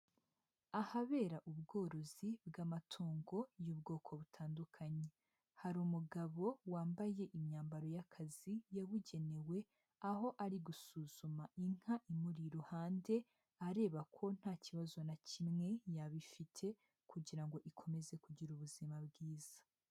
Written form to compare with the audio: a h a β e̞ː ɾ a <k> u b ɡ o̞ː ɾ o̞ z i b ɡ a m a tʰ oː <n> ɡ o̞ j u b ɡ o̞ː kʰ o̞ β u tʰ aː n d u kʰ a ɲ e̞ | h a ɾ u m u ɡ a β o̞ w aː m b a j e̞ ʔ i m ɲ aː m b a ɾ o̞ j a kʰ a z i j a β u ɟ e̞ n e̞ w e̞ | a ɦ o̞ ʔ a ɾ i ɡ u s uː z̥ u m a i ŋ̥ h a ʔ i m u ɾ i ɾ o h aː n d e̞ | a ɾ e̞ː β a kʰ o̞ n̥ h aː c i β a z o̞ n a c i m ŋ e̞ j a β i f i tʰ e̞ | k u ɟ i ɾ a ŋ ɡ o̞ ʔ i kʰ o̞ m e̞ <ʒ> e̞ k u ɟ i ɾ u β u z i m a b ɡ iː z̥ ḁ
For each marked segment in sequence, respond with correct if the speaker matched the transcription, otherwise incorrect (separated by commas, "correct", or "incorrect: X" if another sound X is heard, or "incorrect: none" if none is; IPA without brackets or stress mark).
incorrect: ʔ, incorrect: ŋ, incorrect: z